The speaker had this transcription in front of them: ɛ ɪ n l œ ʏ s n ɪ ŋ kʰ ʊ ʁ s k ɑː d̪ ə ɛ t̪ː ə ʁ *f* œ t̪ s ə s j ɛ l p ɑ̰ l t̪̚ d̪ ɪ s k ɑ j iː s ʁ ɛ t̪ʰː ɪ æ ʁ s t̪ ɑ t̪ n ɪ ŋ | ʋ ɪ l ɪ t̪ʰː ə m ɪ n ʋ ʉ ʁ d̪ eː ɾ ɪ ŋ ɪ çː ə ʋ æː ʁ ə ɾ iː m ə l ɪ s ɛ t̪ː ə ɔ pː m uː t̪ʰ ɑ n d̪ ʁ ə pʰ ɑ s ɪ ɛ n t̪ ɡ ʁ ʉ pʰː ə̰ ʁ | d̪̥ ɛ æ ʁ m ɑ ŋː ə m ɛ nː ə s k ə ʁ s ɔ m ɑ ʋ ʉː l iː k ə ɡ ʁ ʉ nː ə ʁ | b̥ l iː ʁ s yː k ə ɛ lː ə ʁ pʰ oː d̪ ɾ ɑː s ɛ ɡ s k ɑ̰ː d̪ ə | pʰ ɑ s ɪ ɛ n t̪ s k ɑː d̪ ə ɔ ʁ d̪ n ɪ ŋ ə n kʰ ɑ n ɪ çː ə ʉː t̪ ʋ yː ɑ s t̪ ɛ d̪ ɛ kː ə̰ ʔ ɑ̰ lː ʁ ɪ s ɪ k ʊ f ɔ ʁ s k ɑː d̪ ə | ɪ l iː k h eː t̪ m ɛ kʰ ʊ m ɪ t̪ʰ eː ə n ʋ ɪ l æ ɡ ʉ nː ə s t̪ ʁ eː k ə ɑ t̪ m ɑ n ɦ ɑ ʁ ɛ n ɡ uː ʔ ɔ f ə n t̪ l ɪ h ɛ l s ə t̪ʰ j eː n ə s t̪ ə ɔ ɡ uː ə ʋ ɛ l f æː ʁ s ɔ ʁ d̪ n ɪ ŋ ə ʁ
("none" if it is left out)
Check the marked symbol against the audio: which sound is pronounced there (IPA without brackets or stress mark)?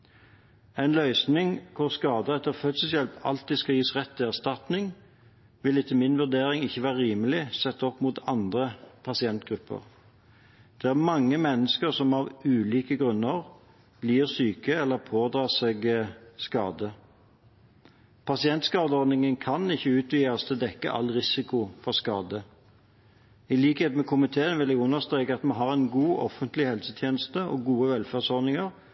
f